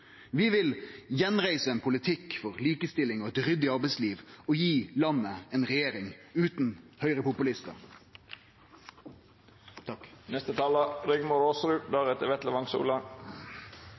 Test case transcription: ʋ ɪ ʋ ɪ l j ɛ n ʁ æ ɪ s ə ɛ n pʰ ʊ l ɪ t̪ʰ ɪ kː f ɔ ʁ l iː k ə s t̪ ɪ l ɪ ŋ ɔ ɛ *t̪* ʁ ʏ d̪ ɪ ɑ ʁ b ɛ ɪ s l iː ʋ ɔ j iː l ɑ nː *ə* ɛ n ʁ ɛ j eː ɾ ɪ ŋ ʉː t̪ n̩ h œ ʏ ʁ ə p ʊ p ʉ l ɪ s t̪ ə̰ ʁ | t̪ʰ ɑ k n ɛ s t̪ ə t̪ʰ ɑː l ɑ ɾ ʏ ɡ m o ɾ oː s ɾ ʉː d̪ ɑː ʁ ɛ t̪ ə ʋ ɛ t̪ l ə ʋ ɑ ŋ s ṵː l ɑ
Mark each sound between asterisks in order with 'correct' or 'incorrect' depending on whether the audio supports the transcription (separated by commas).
correct, correct